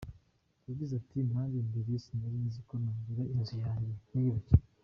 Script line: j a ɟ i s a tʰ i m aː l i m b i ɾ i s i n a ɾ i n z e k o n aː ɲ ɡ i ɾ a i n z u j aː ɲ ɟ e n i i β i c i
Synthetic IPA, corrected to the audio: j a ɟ i z a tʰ i m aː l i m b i ɾ i s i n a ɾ i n z i k o n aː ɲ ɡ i ɾ a i n z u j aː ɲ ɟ e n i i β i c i